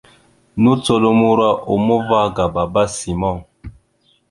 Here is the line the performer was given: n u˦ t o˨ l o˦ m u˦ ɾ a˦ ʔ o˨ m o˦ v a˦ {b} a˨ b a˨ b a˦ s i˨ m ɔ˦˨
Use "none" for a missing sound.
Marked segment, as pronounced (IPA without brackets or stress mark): ɡ